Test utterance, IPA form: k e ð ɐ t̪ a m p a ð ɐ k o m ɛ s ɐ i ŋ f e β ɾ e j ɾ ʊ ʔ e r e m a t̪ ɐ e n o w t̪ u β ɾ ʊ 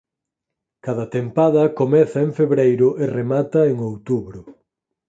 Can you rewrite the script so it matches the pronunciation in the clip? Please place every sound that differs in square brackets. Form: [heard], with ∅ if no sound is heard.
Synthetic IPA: k [a] ð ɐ t̪ [e] m p a ð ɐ k o m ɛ [θ] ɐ [e] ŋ f e β ɾ e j ɾ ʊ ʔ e r e m a t̪ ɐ e [ŋ] o w t̪ u β ɾ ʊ